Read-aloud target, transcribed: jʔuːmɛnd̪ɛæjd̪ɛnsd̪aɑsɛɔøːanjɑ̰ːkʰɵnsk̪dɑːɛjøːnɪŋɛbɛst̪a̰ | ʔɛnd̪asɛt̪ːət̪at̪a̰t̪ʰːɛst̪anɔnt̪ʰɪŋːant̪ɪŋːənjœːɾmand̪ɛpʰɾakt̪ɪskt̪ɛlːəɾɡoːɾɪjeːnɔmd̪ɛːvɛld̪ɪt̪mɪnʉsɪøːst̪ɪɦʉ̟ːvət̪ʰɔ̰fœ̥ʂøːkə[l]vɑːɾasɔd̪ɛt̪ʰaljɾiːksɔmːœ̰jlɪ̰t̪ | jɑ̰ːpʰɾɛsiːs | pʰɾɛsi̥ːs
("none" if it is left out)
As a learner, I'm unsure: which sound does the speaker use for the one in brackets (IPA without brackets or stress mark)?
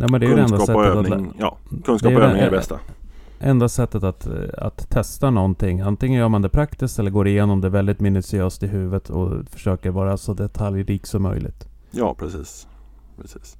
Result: ɾ